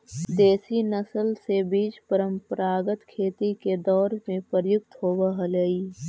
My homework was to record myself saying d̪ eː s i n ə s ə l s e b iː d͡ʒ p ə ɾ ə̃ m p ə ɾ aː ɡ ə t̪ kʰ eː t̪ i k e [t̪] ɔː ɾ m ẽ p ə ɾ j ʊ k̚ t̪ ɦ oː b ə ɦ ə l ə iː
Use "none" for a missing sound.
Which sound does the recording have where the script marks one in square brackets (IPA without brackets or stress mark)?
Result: d̪